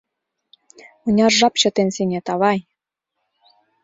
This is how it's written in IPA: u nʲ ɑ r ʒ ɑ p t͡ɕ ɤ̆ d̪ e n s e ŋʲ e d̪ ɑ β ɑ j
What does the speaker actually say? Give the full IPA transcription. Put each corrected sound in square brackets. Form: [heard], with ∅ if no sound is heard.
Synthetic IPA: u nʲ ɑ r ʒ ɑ p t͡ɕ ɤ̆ [t̪] e n s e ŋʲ e [t̪] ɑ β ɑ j